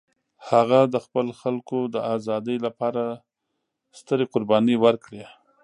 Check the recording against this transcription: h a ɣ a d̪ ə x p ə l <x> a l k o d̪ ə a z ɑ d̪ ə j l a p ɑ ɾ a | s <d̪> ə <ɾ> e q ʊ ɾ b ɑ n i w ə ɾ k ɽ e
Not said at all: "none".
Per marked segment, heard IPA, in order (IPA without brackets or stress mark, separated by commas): x, t̪, ɾ